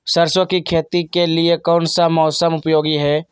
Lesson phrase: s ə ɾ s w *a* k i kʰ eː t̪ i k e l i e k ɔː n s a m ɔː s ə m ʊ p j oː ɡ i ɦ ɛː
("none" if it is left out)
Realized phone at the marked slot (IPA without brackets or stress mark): ə